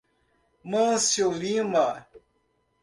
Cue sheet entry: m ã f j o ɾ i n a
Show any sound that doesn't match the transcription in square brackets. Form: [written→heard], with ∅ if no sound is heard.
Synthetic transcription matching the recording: m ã [f→s] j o [ɾ→l] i [n→m] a